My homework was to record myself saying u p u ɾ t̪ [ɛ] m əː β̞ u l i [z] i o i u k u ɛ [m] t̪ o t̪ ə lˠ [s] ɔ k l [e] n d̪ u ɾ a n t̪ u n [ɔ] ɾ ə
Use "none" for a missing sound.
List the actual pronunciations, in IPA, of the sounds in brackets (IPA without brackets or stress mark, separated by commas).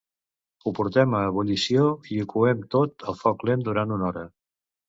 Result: ɛ, s, m, f, e, ɔ